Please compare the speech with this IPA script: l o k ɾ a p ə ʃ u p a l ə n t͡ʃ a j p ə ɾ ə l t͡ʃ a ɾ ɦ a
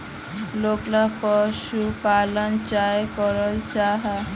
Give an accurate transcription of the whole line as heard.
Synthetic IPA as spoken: l o k l a p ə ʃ u p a l ə n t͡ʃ a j k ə ɾ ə l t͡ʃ a ɦ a